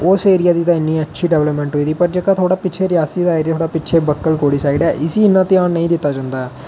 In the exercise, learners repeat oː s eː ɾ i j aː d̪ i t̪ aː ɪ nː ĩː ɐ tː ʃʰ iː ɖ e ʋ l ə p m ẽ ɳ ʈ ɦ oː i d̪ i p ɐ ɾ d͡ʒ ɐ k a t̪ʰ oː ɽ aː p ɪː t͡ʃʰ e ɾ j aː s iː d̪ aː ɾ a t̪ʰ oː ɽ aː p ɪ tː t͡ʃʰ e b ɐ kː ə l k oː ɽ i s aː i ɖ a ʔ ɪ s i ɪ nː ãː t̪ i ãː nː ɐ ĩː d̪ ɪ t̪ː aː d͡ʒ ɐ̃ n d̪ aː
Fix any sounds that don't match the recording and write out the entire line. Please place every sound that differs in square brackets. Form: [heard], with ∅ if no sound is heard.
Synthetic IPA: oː s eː ɾ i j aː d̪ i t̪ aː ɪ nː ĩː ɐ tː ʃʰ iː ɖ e ʋ l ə p m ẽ ɳ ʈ ɦ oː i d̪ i p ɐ ɾ d͡ʒ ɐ k a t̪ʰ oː ɽ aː p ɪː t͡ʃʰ e ɾ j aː s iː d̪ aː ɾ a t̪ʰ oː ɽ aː p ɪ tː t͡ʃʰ e b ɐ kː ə l k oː ɽ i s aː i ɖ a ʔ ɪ s i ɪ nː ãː t̪ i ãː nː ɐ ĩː d̪ ɪ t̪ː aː d͡ʒ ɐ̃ n d̪ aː